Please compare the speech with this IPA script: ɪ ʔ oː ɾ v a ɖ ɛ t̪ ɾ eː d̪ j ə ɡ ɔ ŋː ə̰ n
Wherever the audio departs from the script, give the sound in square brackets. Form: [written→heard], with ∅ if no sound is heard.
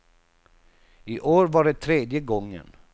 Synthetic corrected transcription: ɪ ʔ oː ɾ v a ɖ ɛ [t̪→t̪ʰ] ɾ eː d̪ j ə ɡ ɔ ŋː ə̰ n